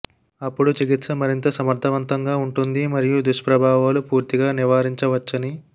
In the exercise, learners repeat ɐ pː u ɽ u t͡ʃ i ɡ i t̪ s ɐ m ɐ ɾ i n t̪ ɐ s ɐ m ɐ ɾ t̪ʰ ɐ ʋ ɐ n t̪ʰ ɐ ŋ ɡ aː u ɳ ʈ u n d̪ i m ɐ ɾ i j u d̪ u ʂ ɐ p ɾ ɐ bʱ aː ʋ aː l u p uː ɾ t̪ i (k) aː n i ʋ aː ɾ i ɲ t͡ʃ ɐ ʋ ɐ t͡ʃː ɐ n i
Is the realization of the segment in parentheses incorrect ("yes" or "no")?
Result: yes